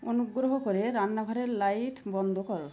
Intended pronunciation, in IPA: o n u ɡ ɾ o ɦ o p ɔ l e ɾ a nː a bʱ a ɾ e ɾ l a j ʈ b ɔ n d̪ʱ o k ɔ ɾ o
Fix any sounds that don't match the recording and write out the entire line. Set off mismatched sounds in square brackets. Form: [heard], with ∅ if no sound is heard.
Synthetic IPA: o n u ɡ ɾ o ɦ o [k] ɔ [ɾ] e ɾ a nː a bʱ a ɾ e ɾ l a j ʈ b ɔ n d̪ʱ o k ɔ ɾ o